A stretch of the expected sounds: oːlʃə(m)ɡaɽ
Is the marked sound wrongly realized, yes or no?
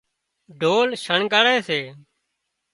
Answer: yes